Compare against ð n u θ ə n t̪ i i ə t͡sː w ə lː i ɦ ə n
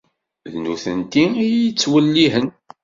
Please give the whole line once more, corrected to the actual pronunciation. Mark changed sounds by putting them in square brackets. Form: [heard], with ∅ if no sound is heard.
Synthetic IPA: ð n u θ ə n t̪ i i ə t͡sː w ə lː i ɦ ə n